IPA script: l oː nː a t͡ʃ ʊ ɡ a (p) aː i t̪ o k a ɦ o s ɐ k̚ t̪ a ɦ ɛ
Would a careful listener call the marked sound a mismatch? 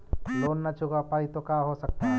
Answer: no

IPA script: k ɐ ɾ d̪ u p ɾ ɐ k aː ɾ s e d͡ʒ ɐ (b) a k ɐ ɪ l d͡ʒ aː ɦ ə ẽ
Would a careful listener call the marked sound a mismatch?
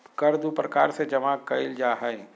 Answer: yes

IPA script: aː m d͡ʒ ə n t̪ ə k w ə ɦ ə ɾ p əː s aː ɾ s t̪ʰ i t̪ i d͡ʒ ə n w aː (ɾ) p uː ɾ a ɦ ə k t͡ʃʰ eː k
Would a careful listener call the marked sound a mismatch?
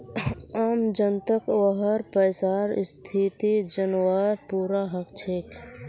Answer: no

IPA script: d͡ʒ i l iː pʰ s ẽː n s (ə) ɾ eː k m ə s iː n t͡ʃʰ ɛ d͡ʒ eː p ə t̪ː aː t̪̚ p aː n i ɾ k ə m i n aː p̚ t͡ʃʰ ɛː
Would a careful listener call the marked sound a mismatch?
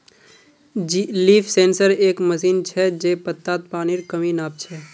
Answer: no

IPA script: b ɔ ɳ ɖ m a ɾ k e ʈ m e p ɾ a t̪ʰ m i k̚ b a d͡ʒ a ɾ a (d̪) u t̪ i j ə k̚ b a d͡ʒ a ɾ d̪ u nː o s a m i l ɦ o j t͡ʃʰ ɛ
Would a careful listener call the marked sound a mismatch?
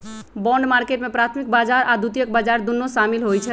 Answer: no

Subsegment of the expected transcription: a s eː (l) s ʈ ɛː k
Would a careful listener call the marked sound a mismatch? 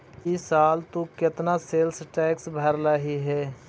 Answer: no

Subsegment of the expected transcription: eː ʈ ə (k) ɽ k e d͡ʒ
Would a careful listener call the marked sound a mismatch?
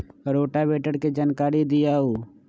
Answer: yes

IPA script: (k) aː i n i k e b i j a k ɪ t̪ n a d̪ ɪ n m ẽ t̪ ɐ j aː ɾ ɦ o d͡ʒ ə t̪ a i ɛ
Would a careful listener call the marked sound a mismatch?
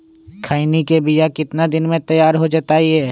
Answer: yes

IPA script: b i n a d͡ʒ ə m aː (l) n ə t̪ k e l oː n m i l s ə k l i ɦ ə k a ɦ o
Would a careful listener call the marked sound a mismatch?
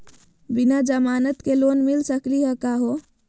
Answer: yes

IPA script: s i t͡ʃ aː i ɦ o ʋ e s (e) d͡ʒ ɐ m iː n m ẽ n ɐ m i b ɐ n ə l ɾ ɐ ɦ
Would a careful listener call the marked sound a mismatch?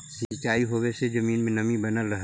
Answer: no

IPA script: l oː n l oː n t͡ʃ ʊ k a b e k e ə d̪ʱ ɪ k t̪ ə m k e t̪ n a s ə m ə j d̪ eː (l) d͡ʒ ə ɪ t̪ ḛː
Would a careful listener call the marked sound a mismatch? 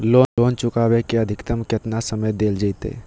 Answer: no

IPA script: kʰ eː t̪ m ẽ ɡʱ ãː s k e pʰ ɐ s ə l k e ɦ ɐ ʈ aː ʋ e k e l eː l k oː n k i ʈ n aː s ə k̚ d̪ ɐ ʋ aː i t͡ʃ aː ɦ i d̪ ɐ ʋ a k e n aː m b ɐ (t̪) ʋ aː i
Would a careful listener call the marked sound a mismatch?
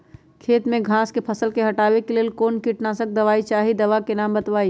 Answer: no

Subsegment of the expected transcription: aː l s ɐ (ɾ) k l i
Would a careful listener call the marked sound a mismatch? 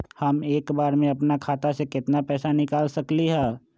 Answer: yes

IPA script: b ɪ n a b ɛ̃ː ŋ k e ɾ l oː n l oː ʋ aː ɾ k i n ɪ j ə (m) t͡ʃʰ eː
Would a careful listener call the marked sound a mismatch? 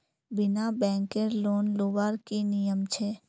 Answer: no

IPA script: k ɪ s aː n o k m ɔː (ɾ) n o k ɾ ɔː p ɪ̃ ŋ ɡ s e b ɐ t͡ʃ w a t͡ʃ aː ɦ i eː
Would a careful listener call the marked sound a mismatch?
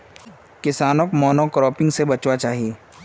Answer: yes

